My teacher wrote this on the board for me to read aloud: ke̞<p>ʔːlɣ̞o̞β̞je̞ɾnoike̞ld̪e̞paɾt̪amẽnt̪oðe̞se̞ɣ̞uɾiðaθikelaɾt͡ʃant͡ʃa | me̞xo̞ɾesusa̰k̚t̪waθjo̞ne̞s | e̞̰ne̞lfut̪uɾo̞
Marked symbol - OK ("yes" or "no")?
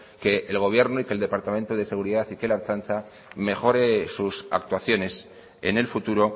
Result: no